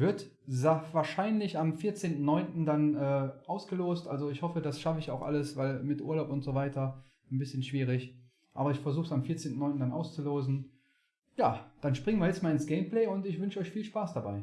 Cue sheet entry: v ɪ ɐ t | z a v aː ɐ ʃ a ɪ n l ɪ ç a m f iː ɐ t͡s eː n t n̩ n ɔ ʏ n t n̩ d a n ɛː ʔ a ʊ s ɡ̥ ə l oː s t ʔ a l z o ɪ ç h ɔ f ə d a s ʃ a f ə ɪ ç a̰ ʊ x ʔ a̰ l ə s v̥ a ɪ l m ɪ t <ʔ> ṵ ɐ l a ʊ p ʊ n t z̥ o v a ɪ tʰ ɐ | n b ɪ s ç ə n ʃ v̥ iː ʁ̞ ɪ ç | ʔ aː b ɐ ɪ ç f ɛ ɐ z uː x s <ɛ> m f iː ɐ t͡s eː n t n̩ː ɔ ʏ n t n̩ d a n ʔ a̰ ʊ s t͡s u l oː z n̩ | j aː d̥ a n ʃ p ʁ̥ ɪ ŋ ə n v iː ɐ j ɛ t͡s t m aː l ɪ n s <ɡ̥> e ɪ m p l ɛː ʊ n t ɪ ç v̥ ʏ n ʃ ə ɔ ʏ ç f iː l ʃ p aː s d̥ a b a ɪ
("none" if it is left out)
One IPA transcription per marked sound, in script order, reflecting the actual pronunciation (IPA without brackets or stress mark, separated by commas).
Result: ʔ, a, ɡ̥